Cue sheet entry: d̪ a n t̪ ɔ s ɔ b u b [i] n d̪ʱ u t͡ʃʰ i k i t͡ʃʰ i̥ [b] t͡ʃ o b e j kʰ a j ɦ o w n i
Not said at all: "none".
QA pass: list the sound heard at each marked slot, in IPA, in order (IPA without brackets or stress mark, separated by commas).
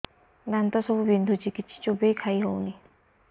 i, none